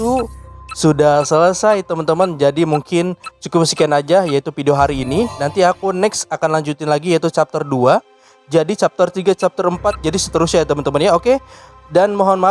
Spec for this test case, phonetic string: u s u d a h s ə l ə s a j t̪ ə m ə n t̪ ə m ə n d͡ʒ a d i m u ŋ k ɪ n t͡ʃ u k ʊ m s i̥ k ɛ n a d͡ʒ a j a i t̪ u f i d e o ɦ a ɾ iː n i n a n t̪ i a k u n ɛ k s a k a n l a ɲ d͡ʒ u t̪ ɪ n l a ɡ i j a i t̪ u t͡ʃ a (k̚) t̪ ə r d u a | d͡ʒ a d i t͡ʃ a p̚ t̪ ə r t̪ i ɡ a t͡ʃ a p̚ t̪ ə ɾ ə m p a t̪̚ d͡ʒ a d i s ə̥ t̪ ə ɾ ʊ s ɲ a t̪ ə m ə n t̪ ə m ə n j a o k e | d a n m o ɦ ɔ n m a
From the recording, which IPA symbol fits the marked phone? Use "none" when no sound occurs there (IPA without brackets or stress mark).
p̚